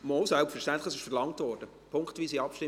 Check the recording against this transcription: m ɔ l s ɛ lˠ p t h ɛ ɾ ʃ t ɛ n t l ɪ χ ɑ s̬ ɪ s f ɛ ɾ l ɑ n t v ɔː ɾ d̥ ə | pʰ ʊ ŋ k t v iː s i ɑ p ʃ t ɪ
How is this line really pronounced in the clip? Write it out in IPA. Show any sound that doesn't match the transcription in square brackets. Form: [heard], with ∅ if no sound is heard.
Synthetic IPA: m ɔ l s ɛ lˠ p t [f] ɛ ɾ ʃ t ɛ n t l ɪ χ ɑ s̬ ɪ [ʃ] f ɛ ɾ l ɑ [ŋ] t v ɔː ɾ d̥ ə | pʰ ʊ ŋ k t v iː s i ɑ p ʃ t ɪ